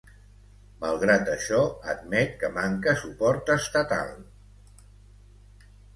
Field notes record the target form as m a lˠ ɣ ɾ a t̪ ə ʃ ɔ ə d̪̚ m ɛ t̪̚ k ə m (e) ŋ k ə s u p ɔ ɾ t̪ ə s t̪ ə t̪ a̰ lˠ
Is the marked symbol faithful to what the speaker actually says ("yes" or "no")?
no